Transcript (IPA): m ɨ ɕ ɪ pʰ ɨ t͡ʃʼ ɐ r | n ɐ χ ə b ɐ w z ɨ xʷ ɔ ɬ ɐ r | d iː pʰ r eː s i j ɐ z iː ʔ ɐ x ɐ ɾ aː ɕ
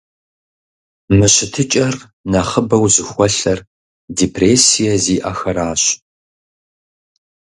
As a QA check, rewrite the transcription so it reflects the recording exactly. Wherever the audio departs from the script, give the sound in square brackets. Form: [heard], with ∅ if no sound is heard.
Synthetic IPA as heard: m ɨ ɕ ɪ [tʰ] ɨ t͡ʃʼ ɐ r | n ɐ χ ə b ɐ w z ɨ xʷ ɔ ɬ ɐ r | d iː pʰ r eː s i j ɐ z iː ʔ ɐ x ɐ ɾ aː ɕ